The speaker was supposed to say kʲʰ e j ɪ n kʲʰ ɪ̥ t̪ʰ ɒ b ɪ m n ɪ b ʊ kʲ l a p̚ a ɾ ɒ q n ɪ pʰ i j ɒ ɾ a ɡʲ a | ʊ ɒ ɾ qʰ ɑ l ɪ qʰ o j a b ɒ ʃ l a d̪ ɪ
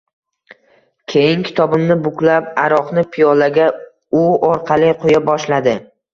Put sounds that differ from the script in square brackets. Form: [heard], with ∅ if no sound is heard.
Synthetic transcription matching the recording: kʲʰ e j ɪ [ŋ] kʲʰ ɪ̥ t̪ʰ ɒ b ɪ m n ɪ b ʊ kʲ l a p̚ a ɾ ɒ q n ɪ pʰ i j ɒ [l] a ɡʲ a | ʊ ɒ ɾ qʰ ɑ l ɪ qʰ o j a b ɒ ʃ l a d̪ ɪ